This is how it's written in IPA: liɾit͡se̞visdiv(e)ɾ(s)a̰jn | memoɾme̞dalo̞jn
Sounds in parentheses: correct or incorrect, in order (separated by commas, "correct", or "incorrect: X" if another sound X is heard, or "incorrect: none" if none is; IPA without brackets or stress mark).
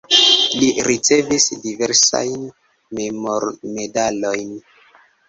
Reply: correct, correct